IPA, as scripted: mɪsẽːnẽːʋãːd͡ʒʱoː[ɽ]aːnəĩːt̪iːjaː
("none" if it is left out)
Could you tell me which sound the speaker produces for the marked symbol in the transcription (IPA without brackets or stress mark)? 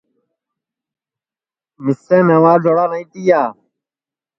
ɽ